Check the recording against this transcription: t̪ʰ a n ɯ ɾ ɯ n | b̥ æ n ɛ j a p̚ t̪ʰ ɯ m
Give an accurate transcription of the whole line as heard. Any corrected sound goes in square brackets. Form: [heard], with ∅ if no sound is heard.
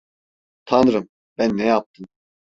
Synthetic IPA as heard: t̪ʰ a n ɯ ɾ ɯ [m] | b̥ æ [nː] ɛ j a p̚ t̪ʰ ɯ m